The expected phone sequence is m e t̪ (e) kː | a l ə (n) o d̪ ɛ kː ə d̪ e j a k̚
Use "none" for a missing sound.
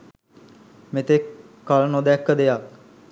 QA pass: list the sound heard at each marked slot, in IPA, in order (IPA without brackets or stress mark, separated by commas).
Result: e, n